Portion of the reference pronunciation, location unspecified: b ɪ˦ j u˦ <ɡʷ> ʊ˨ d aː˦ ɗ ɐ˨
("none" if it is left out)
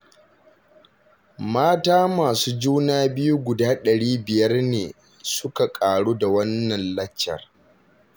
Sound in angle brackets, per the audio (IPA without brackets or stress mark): ɡʷ